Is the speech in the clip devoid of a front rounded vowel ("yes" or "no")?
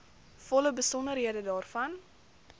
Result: yes